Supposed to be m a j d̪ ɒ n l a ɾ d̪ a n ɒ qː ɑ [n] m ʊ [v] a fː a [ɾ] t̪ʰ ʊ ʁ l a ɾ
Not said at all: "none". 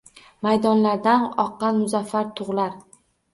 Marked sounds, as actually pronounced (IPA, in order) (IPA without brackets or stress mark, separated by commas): n, z, ɾ